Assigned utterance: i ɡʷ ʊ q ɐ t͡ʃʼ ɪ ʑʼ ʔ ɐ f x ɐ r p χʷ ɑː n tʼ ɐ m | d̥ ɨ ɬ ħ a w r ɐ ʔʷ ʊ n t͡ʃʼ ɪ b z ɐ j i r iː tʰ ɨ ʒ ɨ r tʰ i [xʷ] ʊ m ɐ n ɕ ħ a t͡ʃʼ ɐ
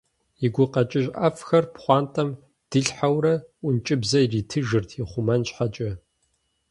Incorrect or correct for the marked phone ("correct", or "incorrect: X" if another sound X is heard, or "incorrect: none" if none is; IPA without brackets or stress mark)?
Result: incorrect: χʷ